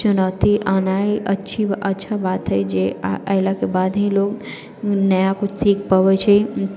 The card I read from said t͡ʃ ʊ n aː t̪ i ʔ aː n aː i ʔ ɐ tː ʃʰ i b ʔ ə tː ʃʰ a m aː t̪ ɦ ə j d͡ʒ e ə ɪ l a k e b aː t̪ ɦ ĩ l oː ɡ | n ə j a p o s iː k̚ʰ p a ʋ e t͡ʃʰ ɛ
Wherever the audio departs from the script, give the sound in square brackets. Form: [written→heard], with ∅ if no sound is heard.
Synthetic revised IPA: t͡ʃ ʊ n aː t̪ i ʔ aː n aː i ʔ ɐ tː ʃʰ i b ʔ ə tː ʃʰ a [m→b] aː t̪ ɦ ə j d͡ʒ e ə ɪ l a k e b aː [t̪→d̪] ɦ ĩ l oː ɡ | n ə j a [p→k] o s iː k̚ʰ p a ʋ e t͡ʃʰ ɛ